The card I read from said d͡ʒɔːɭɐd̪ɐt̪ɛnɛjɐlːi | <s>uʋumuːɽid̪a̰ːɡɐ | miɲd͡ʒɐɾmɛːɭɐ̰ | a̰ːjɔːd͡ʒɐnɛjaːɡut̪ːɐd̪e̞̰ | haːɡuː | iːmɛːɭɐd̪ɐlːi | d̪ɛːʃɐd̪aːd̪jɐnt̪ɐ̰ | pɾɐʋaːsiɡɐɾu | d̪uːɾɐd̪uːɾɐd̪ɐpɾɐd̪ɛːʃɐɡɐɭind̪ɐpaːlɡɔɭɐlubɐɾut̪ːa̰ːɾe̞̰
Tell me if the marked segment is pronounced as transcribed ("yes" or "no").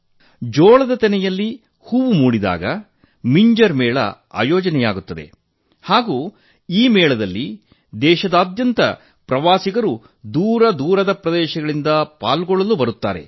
no